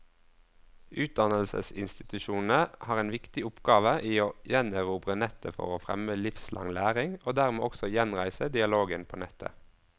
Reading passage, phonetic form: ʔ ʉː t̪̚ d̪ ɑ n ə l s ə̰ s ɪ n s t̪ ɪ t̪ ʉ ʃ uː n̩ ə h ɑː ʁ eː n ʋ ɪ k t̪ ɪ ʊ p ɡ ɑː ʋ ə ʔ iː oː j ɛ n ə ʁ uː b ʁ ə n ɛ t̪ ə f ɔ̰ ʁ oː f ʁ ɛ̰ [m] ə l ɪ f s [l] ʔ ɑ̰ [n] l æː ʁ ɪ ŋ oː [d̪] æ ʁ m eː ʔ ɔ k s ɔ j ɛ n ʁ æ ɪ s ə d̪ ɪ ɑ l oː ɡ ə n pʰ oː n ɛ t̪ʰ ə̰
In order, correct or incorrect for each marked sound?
correct, correct, incorrect, correct

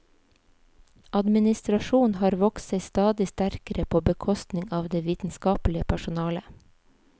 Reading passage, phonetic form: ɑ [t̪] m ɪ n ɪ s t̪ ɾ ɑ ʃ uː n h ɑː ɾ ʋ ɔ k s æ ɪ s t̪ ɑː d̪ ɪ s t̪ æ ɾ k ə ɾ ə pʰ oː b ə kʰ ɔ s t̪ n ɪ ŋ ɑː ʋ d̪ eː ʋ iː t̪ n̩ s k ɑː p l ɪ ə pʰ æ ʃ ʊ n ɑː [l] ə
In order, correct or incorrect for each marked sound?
incorrect, correct

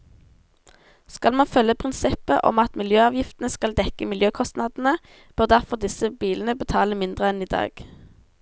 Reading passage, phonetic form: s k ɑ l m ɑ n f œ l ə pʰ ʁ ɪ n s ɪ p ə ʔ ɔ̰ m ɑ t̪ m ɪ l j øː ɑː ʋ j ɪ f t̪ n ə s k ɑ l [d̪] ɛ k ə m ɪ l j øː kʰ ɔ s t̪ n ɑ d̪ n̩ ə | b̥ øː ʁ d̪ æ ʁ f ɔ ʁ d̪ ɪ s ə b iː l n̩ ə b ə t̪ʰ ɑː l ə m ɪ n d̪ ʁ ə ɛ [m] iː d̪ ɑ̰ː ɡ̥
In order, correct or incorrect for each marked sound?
correct, incorrect

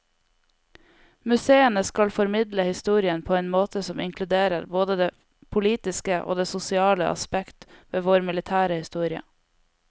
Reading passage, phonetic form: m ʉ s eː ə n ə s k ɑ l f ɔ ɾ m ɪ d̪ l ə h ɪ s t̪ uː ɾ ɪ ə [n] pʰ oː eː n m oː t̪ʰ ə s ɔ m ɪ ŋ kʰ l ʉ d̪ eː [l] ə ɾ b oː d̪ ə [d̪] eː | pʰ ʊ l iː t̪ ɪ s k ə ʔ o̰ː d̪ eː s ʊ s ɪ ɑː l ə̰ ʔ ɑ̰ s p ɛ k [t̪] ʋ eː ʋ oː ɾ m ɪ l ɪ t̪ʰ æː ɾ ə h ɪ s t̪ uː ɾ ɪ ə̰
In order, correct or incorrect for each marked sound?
correct, incorrect, correct, correct

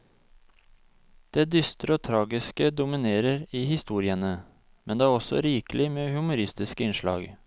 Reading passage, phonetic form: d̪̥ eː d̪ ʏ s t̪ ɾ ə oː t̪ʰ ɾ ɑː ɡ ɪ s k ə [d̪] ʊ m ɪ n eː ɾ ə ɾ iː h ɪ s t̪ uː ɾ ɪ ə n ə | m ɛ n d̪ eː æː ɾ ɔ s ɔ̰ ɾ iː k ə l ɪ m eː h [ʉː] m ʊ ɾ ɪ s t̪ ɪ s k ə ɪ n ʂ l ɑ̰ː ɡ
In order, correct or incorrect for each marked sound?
correct, incorrect

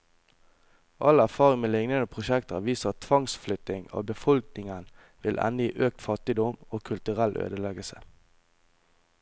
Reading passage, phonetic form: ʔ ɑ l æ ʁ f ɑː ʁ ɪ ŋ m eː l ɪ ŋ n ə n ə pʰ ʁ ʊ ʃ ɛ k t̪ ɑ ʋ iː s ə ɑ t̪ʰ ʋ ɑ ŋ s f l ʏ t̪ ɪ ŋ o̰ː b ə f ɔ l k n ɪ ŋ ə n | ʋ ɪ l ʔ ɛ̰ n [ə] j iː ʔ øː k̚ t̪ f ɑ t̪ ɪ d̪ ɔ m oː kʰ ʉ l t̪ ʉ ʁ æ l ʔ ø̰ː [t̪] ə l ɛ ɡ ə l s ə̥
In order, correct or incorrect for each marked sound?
correct, incorrect

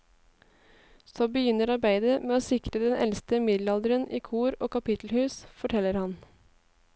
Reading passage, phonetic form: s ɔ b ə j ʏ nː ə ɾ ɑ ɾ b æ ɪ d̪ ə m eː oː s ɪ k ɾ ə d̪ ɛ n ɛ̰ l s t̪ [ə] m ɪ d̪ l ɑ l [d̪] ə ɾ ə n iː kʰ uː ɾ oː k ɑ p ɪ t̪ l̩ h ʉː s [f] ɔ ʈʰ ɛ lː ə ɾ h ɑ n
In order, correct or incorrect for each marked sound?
correct, correct, correct

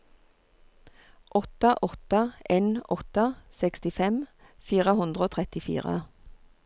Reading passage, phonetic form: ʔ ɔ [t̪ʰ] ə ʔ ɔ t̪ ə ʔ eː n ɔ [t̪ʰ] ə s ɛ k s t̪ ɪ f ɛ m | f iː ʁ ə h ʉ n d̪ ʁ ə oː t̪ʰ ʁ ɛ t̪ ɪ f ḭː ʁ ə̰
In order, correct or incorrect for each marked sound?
incorrect, incorrect

